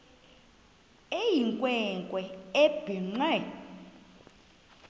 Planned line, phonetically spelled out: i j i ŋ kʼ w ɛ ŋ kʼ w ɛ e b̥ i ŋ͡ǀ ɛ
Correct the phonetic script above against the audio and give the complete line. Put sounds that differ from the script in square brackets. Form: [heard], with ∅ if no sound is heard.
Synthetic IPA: [e] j i ŋ kʼ w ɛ ŋ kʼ w ɛ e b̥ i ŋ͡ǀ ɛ